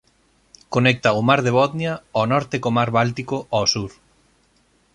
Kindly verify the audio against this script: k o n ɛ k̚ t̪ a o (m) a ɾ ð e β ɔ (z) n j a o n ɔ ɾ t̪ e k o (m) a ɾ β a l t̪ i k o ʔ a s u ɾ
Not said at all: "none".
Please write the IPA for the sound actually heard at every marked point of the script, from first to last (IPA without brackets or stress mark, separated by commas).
m, ð, m